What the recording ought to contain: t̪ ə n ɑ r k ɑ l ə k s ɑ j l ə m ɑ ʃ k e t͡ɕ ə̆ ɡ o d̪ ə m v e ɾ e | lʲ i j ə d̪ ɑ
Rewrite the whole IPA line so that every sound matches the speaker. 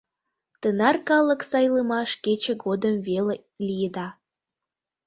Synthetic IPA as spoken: t̪ ə n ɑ r k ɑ l ə k s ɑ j l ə m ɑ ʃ k e t͡ɕ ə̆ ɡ o d̪ ə m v e l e | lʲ i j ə d̪ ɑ